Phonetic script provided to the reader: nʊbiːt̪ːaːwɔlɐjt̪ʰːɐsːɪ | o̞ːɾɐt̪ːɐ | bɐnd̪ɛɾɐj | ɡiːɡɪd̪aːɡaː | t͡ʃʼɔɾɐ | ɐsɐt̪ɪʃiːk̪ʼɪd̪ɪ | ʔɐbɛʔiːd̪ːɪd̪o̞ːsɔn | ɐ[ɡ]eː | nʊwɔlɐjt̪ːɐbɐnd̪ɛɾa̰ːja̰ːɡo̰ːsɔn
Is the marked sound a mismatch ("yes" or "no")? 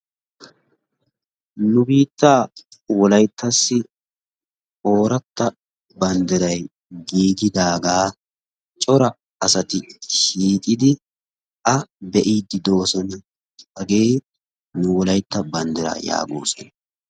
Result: no